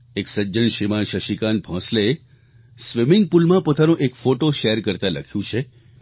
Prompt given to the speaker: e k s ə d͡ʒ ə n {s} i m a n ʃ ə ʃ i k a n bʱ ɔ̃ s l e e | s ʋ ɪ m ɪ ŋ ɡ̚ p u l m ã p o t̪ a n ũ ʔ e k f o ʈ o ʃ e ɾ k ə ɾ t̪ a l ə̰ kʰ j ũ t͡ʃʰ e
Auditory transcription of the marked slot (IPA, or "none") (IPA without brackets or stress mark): ʃ